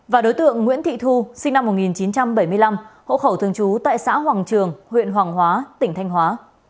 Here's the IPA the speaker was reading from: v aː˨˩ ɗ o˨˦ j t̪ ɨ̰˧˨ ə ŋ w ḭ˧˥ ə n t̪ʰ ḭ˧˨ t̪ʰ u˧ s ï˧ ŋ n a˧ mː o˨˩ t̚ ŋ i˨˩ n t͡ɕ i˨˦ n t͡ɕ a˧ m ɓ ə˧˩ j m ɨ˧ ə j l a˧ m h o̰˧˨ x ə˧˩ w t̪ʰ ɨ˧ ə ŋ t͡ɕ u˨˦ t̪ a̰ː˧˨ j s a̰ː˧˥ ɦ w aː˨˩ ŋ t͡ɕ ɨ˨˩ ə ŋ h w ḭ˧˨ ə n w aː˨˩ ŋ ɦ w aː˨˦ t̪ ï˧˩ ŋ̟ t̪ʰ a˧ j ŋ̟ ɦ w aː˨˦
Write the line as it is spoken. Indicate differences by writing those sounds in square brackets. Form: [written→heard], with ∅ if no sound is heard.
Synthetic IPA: v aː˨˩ ɗ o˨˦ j t̪ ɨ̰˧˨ ə [ŋ→ŋː] w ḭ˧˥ ə n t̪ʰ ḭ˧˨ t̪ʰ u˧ s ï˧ ŋ n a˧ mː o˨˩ t̚ ŋ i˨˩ n t͡ɕ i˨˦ n t͡ɕ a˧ m ɓ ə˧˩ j m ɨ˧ ə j l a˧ m h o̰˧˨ x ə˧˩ w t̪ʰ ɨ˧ ə ŋ t͡ɕ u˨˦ t̪ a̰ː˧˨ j s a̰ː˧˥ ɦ w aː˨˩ ŋ t͡ɕ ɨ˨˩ ə ŋ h w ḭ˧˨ ə n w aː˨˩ ŋ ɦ w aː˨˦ t̪ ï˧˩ ŋ̟ t̪ʰ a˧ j ŋ̟ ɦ w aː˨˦